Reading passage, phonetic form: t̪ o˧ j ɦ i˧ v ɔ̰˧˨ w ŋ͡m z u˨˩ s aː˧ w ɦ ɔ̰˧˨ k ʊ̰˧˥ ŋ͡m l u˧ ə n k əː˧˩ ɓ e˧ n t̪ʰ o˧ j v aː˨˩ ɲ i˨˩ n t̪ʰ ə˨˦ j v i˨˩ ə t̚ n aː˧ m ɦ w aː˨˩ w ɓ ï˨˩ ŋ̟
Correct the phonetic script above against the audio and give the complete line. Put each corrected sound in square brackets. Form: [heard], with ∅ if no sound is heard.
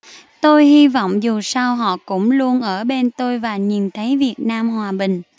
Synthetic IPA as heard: t̪ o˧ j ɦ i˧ v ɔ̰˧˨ w ŋ͡m z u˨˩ s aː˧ w ɦ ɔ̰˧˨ k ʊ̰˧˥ ŋ͡m l u˧ ə n [ʔ] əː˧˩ ɓ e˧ n [t̪] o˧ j v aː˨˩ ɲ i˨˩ n t̪ʰ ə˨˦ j v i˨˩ ə t̚ n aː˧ m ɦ w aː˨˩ [∅] ɓ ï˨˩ ŋ̟